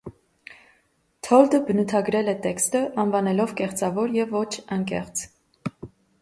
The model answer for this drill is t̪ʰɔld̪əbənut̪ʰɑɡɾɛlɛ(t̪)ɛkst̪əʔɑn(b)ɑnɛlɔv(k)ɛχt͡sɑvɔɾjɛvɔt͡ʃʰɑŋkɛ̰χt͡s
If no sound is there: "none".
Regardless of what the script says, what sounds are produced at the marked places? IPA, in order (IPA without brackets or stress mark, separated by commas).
t̪, v, k